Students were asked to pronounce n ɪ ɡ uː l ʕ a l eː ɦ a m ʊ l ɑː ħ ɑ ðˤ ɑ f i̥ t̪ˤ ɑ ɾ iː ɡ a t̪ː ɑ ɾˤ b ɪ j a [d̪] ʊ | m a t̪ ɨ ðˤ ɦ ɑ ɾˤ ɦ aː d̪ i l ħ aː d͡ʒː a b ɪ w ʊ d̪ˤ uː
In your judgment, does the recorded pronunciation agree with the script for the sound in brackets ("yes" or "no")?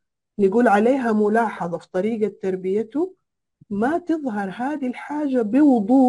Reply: no